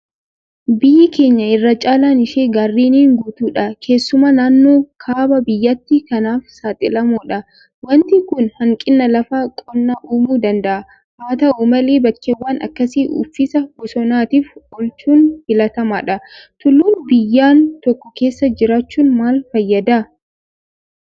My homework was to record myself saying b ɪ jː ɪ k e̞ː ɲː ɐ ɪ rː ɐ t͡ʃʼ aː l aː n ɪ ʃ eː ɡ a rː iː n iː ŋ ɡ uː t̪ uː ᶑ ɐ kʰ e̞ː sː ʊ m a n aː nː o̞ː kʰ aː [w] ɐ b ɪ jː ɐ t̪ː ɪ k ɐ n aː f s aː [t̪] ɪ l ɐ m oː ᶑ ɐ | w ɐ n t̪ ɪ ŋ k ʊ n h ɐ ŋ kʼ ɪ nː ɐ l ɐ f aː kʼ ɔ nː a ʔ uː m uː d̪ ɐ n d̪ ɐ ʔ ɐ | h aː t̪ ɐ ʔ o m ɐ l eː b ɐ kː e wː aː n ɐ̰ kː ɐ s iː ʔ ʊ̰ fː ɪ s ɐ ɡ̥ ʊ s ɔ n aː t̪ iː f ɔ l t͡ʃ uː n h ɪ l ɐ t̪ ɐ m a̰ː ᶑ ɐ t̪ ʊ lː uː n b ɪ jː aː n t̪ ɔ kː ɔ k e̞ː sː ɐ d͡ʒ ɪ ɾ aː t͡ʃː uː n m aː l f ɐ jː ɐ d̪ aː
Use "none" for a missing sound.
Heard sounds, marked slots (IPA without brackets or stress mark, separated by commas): b, t̪ʼ